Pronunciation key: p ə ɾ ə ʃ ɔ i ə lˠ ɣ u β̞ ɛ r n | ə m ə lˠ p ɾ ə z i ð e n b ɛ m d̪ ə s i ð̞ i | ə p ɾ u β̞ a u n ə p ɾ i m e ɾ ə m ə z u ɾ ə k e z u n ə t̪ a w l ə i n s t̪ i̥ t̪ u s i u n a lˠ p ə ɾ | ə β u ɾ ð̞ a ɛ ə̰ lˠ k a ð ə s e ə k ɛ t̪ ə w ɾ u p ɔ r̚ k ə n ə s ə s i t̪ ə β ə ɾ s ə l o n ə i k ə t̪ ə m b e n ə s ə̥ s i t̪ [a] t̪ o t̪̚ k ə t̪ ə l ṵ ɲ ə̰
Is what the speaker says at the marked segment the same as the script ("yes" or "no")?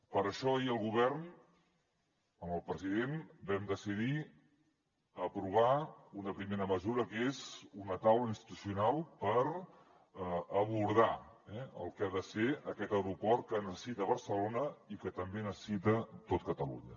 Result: no